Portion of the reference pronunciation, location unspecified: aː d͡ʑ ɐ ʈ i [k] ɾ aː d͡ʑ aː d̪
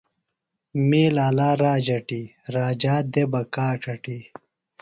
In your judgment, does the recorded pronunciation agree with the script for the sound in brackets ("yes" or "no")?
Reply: no